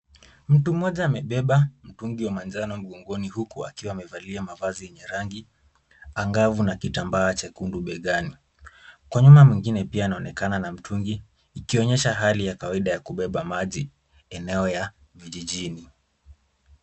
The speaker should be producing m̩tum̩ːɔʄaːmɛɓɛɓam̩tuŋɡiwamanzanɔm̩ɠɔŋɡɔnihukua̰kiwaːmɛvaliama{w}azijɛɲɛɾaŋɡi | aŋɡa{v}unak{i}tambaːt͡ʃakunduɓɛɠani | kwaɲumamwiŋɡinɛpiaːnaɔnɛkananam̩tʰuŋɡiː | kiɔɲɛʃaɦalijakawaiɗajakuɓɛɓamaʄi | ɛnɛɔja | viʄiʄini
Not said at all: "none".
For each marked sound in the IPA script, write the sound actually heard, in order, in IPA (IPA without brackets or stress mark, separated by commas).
v, v, i